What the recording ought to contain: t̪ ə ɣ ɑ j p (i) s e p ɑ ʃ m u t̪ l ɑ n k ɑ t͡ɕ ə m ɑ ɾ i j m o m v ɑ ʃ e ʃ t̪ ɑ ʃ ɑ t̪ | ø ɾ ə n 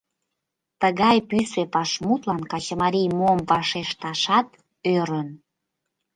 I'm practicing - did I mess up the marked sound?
yes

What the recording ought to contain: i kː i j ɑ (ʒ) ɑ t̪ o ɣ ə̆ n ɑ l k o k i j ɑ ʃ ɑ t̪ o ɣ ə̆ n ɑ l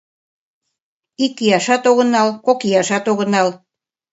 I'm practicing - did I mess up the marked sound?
yes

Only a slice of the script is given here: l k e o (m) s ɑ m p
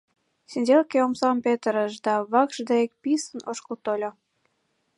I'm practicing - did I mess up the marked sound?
no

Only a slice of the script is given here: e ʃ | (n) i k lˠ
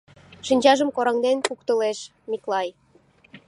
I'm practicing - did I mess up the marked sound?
yes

